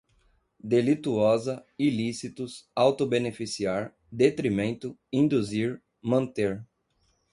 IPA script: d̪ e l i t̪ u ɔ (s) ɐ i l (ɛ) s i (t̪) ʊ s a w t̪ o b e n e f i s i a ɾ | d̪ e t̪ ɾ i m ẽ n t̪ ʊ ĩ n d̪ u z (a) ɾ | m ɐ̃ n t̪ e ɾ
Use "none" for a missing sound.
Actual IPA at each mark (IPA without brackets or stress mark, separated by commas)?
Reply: z, i, t̪, i